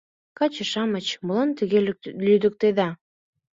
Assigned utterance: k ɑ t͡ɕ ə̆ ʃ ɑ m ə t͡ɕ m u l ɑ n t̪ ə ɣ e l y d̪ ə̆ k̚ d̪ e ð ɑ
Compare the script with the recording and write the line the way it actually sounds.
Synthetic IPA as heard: k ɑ t͡ɕ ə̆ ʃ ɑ m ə t͡ɕ m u l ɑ n t̪ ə ɣ e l y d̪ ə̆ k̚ t̪ e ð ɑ